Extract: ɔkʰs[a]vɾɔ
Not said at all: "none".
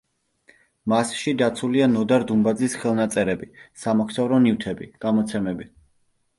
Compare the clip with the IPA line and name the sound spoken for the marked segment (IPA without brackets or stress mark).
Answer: a